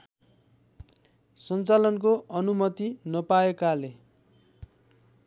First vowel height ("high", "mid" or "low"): mid